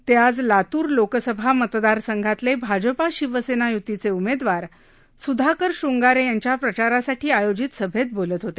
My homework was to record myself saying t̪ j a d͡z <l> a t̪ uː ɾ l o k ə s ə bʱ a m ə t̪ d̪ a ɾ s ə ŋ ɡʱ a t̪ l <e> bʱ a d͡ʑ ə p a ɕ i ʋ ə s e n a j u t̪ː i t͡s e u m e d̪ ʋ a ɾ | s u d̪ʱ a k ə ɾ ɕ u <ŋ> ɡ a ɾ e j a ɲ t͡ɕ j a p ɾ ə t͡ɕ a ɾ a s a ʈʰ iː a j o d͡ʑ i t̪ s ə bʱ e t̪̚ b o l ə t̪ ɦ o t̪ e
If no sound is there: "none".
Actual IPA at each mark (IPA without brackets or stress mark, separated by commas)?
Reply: l, e, ŋ